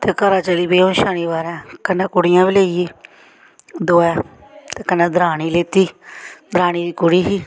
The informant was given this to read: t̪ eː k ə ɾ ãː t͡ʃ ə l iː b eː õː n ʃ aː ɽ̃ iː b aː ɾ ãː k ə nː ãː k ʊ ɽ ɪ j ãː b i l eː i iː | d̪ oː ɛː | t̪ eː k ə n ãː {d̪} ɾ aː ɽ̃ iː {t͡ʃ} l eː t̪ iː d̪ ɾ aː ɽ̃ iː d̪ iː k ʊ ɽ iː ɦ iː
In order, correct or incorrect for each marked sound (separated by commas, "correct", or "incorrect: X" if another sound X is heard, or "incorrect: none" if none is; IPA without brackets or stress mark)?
correct, incorrect: none